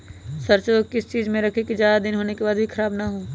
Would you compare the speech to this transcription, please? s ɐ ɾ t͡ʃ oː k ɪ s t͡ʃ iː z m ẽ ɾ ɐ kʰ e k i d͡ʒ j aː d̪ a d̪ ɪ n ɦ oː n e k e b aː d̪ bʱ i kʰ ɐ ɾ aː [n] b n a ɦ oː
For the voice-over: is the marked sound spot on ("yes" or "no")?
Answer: no